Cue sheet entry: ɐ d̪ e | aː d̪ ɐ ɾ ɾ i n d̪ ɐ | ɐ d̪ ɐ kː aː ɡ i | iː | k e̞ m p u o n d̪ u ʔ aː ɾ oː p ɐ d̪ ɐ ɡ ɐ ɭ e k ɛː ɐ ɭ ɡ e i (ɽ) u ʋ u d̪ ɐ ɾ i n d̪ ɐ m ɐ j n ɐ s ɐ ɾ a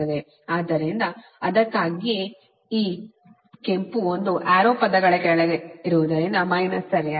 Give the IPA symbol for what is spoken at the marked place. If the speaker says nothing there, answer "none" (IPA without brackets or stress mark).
ɾ